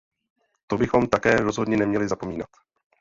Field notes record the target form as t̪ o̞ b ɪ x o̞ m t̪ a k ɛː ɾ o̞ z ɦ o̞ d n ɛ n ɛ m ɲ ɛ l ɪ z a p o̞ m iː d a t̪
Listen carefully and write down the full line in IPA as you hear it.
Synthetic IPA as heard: t̪ o̞ b ɪ x o̞ m t̪ a k ɛː ɾ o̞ z ɦ o̞ d ɲ ɛ n ɛ m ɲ ɛ l ɪ z a p o̞ m iː n a t̪